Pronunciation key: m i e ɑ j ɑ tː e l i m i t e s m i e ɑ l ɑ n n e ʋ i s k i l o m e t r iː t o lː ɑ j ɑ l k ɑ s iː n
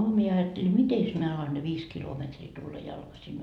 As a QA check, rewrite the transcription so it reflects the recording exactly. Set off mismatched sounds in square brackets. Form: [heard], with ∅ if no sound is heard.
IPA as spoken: m i e ɑ j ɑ tː e l i m i t e s m i e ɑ l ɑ n n e ʋ [iː] s k i l o m e t r iː t [u] lː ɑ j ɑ l k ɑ s [i] n